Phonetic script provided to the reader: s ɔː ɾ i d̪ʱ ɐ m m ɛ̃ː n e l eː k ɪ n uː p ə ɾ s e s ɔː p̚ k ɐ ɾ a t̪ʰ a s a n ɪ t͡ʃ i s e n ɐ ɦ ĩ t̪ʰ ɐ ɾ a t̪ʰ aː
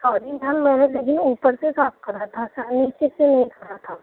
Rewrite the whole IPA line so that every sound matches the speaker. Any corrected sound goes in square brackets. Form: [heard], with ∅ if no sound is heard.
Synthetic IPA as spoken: s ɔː ɾ i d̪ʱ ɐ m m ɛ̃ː n e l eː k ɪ n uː p ə ɾ s e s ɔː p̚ k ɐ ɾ a t̪ʰ a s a n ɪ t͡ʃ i s e n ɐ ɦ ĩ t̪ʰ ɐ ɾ a t̪ʰ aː